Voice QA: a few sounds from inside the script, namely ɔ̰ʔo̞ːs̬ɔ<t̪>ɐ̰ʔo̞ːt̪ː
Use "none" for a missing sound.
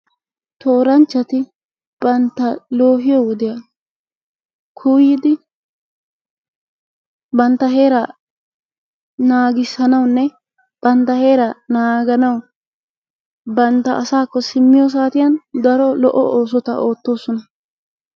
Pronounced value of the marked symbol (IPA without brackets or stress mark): t̪